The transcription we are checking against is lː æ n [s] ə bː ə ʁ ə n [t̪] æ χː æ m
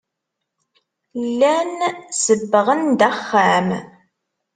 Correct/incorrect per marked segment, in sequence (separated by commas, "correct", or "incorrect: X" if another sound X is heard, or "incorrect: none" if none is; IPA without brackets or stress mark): correct, incorrect: d̪